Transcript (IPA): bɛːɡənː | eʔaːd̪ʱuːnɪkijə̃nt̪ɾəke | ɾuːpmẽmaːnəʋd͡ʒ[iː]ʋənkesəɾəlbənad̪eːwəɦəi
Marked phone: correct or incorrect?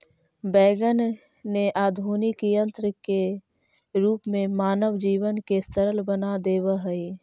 correct